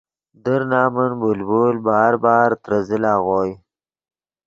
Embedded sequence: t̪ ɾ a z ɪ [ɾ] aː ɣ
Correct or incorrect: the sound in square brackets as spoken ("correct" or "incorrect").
incorrect